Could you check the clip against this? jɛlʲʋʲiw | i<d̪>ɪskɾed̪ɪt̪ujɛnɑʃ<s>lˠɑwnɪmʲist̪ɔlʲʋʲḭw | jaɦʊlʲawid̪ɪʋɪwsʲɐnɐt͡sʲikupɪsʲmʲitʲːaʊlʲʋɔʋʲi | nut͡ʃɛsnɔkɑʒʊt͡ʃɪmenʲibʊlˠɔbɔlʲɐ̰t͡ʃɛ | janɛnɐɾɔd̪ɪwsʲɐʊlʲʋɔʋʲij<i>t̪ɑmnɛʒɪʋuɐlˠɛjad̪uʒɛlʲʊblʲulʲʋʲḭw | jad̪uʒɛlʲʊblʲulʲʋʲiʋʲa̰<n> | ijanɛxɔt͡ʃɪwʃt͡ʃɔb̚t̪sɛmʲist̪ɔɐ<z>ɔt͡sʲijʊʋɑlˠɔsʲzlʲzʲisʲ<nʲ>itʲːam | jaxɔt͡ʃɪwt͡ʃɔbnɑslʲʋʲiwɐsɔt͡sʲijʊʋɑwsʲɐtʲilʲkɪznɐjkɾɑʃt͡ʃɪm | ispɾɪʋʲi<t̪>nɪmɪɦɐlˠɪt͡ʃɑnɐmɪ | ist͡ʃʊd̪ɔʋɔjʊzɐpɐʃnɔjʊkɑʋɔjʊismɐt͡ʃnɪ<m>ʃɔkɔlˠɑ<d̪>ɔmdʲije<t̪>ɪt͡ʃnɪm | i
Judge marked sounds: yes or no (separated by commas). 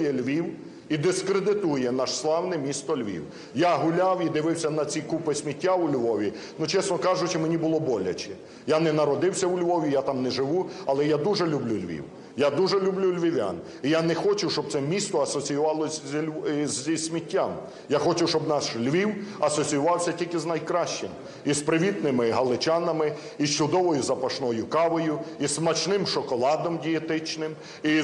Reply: yes, yes, no, yes, no, no, yes, yes, yes, yes